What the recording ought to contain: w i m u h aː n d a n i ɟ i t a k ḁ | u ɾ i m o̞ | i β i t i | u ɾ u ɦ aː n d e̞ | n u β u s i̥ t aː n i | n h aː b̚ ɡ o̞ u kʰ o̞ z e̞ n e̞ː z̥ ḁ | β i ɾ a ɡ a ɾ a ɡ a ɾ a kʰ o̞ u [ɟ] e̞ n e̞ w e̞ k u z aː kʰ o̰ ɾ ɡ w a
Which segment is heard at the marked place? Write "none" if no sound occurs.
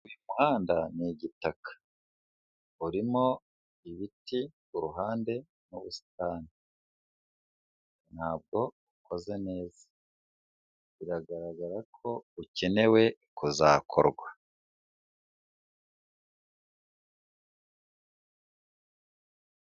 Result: c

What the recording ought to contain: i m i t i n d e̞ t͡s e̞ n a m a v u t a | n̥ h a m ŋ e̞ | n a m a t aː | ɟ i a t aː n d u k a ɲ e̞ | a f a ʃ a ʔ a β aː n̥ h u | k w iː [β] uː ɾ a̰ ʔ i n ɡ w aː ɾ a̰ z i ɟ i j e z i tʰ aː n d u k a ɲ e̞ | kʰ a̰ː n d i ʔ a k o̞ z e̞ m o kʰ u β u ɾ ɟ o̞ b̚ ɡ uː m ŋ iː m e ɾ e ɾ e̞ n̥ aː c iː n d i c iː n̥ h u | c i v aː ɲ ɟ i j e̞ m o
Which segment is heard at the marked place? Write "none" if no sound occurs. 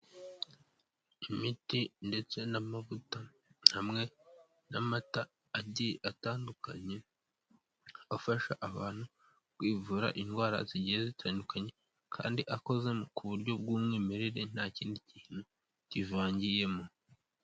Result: v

